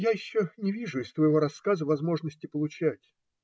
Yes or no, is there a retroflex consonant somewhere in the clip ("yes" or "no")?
yes